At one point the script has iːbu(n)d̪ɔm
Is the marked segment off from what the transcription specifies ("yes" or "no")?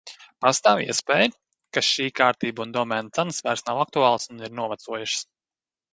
no